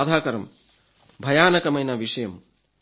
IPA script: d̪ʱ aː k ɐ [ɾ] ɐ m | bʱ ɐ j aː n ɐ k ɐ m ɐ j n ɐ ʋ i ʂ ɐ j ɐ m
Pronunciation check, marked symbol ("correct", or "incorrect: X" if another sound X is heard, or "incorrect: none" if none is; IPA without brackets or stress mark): correct